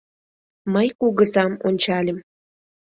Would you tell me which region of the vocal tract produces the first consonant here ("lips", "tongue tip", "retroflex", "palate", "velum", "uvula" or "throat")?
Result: lips